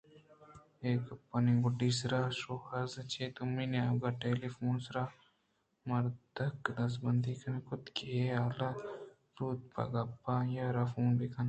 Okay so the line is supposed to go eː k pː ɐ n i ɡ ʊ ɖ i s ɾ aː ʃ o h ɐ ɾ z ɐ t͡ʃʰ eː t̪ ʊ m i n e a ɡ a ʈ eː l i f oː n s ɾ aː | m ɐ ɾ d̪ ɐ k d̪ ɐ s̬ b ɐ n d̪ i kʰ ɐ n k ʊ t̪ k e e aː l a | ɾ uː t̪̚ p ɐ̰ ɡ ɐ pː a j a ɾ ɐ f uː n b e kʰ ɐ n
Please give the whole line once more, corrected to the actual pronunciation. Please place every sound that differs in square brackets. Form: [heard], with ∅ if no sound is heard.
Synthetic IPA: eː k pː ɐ n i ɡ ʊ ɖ i s ɾ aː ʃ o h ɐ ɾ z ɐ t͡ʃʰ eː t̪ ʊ m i n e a ɡ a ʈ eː l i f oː n s ɾ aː | m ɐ ɾ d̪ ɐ k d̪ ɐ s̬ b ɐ n d̪ i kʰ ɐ n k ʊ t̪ k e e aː l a | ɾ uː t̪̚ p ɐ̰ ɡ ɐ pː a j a ɾ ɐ f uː n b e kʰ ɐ n